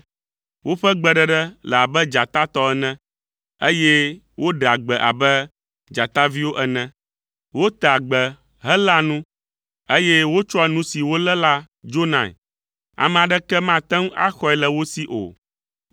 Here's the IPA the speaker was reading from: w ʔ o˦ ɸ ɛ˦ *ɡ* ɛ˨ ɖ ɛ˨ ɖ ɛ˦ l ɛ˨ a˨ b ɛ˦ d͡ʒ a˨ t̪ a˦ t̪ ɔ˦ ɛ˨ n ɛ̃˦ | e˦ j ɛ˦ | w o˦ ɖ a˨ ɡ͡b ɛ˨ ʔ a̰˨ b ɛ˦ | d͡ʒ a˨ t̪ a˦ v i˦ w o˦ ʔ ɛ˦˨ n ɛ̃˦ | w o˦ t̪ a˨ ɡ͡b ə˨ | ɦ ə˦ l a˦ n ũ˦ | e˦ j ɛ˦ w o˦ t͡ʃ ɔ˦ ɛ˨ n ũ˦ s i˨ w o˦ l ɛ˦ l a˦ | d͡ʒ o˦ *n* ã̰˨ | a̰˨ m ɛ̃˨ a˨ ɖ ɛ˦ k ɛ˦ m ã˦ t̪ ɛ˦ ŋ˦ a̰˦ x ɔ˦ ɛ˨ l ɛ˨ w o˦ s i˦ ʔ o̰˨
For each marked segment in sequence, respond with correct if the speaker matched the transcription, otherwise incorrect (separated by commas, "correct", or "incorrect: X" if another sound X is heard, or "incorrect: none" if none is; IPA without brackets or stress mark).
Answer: incorrect: ɡ͡b, correct